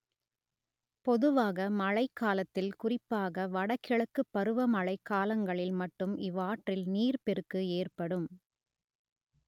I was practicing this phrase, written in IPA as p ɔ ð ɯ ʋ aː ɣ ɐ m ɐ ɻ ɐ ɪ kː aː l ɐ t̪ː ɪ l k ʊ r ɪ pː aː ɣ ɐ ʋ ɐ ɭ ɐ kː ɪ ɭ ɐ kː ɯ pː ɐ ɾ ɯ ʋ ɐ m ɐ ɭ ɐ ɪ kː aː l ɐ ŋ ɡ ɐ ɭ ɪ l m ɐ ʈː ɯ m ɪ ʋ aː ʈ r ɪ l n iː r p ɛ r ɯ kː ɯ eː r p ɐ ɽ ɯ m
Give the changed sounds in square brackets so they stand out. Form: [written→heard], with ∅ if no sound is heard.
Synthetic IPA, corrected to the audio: p ɔ ð ɯ ʋ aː ɣ ɐ m ɐ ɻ ɐ ɪ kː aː l ɐ t̪ː ɪ l k ʊ r ɪ pː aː ɣ ɐ ʋ ɐ [ɭ→ɽ] ɐ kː ɪ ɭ ɐ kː ɯ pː ɐ ɾ ɯ ʋ ɐ m ɐ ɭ ɐ ɪ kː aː l ɐ ŋ ɡ ɐ ɭ ɪ l m ɐ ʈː ɯ m ɪ ʋ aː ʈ r ɪ l n iː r p ɛ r ɯ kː ɯ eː r p ɐ ɽ ɯ m